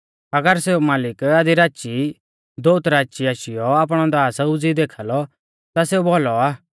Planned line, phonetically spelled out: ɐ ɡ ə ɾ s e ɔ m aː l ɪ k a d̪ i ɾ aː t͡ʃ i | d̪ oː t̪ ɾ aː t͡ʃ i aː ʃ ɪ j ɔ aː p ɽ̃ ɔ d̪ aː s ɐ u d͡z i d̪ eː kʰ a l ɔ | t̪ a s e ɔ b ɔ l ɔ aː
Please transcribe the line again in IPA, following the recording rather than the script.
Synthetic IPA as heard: ɐ ɡ ə ɾ s e u m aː l ɪ k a d̪ i ɾ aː t͡ʃ i | d̪ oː t̪ ɾ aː t͡ʃ i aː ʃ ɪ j ɔ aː p ɽ̃ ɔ d̪ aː s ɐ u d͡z i d̪ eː kʰ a l ɔ | t̪ a s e u b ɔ l ɔ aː